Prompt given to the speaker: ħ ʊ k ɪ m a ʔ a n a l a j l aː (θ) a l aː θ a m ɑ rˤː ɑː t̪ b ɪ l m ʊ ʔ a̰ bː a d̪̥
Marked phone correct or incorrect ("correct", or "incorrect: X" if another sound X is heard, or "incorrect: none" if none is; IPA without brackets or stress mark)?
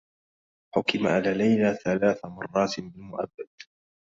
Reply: correct